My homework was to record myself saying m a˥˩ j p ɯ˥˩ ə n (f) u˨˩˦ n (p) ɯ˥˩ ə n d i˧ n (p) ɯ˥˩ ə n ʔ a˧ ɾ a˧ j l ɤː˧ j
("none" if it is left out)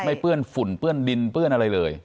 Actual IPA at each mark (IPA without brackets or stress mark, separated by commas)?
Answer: f, p, p